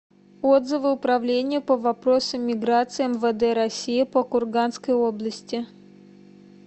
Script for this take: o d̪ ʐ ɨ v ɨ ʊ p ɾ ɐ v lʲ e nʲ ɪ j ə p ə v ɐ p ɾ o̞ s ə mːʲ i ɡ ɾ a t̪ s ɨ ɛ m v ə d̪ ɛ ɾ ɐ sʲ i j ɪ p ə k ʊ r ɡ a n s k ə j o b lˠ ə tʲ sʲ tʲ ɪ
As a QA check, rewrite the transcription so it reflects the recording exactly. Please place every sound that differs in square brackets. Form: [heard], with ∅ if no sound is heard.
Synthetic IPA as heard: o d̪ [z] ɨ v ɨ ʊ p ɾ ɐ v lʲ e nʲ ɪ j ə p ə v ɐ p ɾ o̞ s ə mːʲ [ɪ] ɡ ɾ a t̪ s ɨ ɛ m v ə d̪ ɛ ɾ ɐ sʲ i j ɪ p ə k ʊ r ɡ a n s k ə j o b lˠ ə [∅] sʲ tʲ ɪ